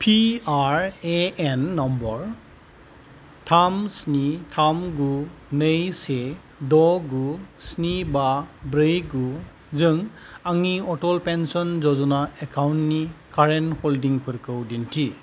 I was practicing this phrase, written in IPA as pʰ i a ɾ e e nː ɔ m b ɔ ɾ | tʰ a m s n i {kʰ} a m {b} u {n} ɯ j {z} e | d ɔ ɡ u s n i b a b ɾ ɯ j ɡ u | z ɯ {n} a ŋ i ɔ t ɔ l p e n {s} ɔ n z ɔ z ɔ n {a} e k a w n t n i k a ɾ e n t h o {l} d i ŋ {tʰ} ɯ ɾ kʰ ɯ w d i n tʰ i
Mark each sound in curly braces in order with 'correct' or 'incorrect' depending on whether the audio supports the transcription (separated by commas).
incorrect, incorrect, correct, incorrect, incorrect, correct, correct, correct, incorrect